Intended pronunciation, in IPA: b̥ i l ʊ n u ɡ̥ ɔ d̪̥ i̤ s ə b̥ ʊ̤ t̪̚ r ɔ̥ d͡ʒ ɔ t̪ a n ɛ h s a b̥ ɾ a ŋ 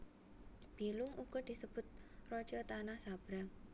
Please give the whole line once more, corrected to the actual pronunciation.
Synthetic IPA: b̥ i l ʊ ŋ u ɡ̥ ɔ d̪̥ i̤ s ə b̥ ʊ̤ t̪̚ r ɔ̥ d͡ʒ ɔ t̪ a n a h s a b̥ ɾ a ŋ

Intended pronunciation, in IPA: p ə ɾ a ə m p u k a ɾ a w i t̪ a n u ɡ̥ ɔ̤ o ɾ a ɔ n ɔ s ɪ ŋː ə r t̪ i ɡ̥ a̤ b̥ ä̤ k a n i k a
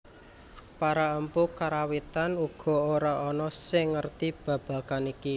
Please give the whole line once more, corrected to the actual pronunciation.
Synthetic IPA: p a ɾ a ə m p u k a ɾ a w i t̪ a n u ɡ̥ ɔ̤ o ɾ a ɔ n ɔ s ɪ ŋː ə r t̪ i b̥ a̤ b̥ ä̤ k a n i k i

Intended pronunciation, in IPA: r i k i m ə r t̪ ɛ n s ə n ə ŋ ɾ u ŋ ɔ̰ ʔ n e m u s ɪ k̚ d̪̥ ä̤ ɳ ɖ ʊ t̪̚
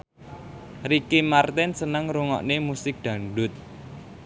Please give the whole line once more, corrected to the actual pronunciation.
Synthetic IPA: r i k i m a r t̪ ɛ n s ə n ə ŋ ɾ u ŋ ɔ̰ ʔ n e m u s ɪ k̚ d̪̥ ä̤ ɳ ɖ ʊ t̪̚

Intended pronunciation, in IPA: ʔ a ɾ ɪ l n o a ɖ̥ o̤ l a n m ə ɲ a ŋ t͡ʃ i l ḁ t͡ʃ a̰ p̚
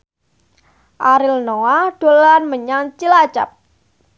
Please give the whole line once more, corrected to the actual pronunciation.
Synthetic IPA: ʔ a ɾ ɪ l n o a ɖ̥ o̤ l a n m ə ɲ a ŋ t͡ʃ i l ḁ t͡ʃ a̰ p̚

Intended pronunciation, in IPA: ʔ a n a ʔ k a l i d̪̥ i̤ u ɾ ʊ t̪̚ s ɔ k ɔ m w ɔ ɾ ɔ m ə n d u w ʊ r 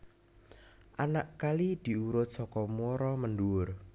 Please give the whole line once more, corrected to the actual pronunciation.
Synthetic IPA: ʔ a n a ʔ k a l i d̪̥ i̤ u ɾ ʊ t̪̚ s ɔ k ɔ m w ɔ ɾ ɔ m ə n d u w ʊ r

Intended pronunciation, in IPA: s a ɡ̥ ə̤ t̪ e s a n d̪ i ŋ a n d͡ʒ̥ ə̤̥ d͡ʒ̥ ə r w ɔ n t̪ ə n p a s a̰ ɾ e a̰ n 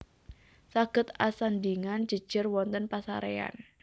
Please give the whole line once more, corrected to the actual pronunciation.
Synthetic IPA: s a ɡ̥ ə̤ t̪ a s a n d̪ i ŋ a n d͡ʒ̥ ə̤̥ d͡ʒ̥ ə r w ɔ n t̪ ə n p a s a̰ ɾ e a̰ n

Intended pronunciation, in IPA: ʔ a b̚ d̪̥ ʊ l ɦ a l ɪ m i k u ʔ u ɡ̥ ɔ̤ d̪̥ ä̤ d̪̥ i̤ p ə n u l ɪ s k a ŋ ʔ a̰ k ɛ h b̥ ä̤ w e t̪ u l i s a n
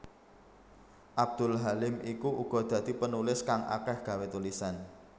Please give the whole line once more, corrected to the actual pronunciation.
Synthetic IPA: ʔ a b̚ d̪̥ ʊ l ɦ a l ɪ m i k u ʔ u ɡ̥ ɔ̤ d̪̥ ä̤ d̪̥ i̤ p ə n u l ɪ s k a ŋ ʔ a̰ k ɛ h ɡ̥ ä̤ w e t̪ u l i s a n

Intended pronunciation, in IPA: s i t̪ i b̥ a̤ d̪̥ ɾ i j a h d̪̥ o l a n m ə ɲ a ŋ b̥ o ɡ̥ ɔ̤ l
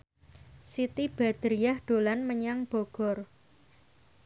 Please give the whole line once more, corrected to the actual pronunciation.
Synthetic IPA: s i t̪ i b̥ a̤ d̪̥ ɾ i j a h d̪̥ o l a n m ə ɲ a ŋ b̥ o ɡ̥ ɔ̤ r

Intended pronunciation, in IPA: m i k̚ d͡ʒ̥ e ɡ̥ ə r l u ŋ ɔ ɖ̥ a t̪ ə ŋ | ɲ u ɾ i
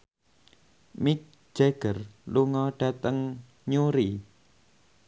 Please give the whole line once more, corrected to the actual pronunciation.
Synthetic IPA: m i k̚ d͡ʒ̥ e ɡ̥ ə r l u ŋ ɔ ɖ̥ a t̪ ə ŋ | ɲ u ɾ i

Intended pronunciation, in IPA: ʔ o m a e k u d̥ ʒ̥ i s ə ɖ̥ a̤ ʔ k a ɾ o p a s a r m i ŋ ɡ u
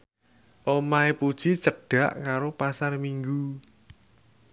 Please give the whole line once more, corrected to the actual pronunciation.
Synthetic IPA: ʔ o m a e p u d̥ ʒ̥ i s ə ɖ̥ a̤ ʔ k a ɾ o p a s a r m i ŋ ɡ u

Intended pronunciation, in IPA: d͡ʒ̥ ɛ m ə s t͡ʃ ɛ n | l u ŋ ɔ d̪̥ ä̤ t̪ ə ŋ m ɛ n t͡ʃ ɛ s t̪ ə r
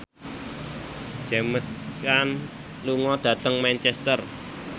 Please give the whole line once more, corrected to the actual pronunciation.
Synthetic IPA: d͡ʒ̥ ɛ m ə s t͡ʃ a n | l u ŋ ɔ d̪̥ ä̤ t̪ ə ŋ m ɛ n t͡ʃ ɛ s t̪ ə r

